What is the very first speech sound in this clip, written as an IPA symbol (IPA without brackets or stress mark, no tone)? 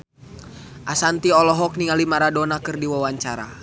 ʔ